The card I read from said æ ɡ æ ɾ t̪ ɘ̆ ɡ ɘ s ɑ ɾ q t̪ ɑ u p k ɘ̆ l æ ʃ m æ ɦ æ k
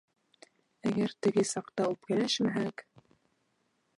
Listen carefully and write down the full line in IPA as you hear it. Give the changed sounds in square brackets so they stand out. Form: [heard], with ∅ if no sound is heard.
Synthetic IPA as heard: æ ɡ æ ɾ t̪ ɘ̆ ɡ ɘ s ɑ [∅] q t̪ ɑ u p k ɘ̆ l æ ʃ m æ ɦ æ k